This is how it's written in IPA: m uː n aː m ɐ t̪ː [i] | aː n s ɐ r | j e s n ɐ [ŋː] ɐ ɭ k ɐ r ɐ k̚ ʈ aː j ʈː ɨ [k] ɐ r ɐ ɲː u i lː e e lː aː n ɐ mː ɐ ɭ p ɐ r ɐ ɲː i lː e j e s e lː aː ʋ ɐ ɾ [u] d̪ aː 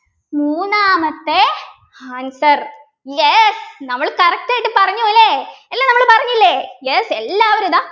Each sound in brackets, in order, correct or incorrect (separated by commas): incorrect, incorrect, incorrect, correct